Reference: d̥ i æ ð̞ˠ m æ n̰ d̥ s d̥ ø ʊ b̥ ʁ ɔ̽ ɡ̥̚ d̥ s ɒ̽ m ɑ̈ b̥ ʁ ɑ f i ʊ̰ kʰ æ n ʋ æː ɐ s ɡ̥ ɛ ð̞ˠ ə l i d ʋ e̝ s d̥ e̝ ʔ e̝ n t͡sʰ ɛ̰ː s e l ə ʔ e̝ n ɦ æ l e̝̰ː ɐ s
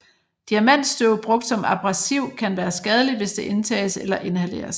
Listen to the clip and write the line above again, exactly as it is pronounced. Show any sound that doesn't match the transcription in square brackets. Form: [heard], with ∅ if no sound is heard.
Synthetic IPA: d̥ i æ [∅] m æ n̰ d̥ s d̥ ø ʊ b̥ ʁ ɔ̽ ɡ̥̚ d̥ s ɒ̽ m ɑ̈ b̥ ʁ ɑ [s] i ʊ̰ kʰ æ n ʋ æː ɐ s ɡ̥ ɛ ð̞ˠ ə l i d ʋ e̝ s d̥ e̝ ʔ e̝ n t͡sʰ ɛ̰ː s e l [ɐ] ʔ e̝ n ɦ æ l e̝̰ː ɐ s